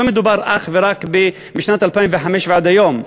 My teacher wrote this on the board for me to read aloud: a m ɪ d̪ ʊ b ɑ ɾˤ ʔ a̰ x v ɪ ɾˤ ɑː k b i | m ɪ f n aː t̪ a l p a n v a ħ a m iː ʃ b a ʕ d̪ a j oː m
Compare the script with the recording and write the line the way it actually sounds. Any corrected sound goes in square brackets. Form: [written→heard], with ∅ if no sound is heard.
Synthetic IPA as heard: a m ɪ d̪ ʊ b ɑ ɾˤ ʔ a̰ x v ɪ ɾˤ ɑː k b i | m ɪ [f→ʃ] n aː t̪ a l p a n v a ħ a m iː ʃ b a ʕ d̪ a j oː m

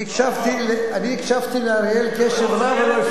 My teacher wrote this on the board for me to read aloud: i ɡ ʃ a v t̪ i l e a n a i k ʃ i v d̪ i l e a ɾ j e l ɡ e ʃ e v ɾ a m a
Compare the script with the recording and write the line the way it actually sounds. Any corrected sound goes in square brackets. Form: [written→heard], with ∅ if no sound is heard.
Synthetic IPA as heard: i [ɡ→k] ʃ a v t̪ i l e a n [a→i] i k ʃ [i→a] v [d̪→t̪] i l e a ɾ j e l [ɡ→k] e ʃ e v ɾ a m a

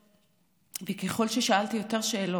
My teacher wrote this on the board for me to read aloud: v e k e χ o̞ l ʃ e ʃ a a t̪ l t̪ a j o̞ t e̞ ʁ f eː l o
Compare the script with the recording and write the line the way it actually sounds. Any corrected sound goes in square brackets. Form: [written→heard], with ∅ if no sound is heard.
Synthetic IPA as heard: v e k e χ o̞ l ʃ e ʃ a a [t̪→∅] l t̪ [a→i] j o̞ t e̞ ʁ [f→ʃ] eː l o

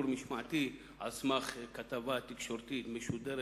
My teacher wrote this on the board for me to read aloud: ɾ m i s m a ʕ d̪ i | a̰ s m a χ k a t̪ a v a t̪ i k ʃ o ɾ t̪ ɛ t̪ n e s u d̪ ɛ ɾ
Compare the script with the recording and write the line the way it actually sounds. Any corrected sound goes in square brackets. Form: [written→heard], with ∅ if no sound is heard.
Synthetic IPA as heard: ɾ m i [s→ʃ] m a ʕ [d̪→t̪] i | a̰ s m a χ k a t̪ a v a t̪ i k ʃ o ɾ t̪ [ɛ→i] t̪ [n→m] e [s→ʃ] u d̪ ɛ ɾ

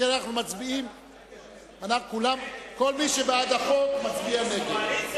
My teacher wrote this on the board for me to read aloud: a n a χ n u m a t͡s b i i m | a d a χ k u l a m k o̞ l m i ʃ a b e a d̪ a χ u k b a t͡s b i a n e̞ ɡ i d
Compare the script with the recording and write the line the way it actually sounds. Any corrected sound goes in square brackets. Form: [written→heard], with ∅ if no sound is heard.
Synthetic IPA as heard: a n a χ n u m a t͡s b i i m | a [d→n] a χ k u l a m k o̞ l m i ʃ [a→e] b e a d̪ a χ [u→o] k [b→m] a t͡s b i a n e̞ ɡ [i→e] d

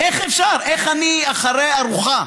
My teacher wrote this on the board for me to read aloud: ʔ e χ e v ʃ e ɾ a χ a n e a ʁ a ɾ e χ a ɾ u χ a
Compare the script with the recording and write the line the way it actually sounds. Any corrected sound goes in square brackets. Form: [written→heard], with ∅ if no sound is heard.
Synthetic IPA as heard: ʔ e χ e [v→f] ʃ [e→a] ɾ [a→e] χ a n [e→i] a [ʁ→χ] a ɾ e [χ→∅] a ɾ u χ a

